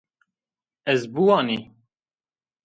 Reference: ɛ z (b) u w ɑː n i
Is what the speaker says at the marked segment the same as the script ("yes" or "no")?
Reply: yes